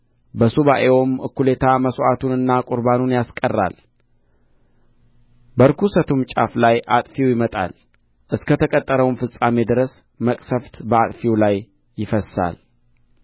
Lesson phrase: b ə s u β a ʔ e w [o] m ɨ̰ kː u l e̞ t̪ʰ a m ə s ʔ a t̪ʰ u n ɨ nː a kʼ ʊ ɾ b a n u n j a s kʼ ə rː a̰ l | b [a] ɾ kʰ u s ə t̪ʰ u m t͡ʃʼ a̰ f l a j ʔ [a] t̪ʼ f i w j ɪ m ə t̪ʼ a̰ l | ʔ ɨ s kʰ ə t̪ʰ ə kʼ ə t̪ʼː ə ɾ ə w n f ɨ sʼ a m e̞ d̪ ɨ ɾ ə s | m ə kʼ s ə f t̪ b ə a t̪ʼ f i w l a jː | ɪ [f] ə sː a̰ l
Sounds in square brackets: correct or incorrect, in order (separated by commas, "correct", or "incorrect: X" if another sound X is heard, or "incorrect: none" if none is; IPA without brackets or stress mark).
correct, incorrect: ə, correct, correct